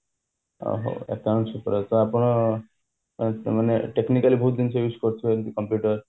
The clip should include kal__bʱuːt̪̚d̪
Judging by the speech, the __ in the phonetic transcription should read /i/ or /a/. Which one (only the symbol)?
i